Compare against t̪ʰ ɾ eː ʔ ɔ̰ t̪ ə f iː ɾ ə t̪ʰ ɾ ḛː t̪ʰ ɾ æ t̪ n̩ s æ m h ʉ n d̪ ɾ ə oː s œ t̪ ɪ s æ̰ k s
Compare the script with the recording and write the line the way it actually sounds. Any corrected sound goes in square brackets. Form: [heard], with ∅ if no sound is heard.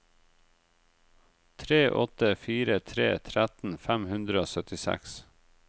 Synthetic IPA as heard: t̪ʰ ɾ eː ʔ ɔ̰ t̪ ə f iː ɾ ə t̪ʰ ɾ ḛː t̪ʰ ɾ æ t̪ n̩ [f] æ m h ʉ n d̪ ɾ ə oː s œ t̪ ɪ s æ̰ k s